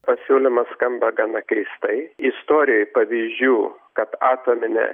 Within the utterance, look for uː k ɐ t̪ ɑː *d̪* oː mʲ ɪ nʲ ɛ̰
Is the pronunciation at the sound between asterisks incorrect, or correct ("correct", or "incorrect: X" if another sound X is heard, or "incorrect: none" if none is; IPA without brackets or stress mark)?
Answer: incorrect: t̪